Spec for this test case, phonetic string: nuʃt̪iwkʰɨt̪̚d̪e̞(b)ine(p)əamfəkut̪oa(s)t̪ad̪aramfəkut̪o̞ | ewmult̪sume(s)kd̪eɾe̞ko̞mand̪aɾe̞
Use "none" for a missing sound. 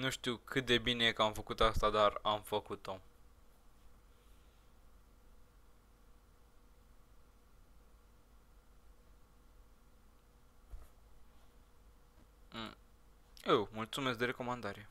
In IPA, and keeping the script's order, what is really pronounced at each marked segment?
b, k, s, s

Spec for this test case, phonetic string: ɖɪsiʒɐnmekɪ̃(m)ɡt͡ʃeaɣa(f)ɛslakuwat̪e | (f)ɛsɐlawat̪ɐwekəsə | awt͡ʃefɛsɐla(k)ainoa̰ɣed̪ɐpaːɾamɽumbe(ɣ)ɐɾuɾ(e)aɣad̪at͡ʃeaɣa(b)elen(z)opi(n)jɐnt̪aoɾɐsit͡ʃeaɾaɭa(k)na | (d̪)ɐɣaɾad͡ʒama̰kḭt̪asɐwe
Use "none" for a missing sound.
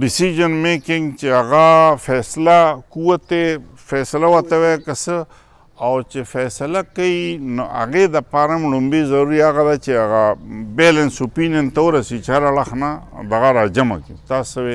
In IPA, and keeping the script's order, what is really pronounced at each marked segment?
ŋ, f, f, k, z, i, b, s, n, x, d̪

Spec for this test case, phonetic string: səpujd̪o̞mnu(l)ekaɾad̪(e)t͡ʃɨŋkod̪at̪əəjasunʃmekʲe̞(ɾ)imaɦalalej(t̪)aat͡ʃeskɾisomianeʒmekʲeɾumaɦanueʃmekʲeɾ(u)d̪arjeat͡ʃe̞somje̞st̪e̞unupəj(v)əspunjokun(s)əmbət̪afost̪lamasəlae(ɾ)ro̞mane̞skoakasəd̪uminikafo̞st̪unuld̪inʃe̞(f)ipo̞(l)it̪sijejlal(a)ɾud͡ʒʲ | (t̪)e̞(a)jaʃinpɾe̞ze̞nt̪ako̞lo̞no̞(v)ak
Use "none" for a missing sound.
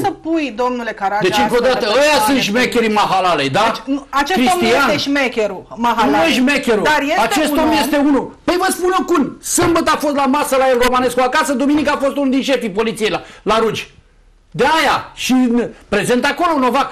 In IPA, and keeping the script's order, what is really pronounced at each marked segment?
l, e, ɾ, d̪, u, v, s, l, f, l, a, d̪, a, v

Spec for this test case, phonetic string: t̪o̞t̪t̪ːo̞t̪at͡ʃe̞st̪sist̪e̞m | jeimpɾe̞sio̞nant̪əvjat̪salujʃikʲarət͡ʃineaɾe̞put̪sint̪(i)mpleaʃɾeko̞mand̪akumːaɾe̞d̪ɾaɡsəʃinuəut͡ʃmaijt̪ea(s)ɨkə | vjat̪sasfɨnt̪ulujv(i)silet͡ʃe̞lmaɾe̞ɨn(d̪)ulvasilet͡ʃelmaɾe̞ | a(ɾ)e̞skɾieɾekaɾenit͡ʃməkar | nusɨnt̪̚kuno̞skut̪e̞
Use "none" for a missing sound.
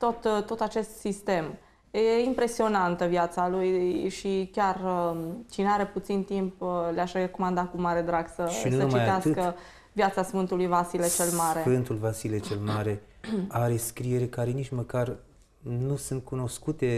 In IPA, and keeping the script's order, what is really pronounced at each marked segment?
i, s, a, t̪, ɾ

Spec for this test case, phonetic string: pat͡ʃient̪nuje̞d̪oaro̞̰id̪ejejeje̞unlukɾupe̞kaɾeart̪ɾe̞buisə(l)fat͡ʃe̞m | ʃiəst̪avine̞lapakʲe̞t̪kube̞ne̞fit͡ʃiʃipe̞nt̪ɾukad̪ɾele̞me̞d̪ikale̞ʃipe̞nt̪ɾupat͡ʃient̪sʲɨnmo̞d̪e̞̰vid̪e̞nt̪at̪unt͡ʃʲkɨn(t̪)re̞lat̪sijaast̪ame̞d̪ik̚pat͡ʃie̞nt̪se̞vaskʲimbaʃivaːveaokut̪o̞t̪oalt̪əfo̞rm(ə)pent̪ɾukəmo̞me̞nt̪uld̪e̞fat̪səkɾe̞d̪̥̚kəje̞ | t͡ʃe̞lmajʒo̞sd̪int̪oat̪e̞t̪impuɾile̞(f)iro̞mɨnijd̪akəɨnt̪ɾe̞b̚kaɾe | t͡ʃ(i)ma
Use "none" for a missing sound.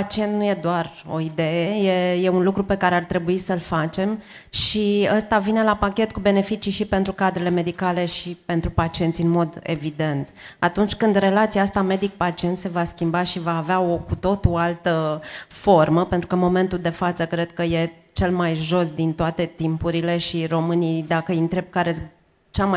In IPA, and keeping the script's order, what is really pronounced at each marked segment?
l, d̪, ə, ʃ, a

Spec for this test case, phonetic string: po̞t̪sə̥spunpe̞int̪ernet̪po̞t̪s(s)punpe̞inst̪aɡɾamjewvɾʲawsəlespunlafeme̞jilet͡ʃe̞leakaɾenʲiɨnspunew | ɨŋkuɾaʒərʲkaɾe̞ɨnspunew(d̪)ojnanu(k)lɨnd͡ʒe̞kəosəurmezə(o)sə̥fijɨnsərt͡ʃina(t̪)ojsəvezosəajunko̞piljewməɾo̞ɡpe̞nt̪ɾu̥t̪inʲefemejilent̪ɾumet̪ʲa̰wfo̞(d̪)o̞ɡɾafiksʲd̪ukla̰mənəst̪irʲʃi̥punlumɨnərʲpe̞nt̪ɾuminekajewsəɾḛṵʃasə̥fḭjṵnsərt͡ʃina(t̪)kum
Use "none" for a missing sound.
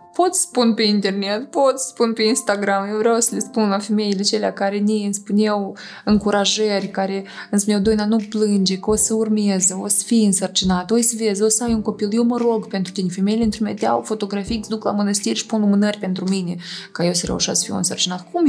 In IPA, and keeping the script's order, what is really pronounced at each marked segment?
s, d̪, p, o, t̪, t̪, t̪

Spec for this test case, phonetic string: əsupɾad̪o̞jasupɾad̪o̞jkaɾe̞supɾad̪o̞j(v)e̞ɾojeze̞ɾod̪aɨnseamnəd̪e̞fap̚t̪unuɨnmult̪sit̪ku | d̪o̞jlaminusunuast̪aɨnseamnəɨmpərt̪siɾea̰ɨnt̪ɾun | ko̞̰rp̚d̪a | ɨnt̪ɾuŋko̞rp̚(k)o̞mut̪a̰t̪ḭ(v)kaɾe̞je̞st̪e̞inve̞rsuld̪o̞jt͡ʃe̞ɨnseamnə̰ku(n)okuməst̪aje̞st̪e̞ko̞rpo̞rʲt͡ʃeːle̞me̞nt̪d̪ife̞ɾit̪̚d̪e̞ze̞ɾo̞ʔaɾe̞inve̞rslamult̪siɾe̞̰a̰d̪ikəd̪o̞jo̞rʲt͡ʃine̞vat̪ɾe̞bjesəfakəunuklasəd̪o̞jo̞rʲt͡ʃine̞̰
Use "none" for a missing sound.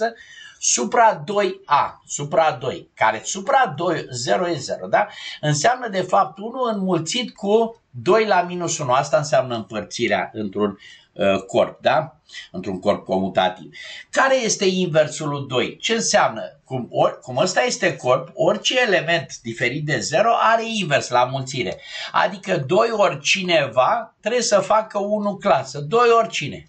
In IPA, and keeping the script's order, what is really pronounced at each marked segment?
z, k, v, m

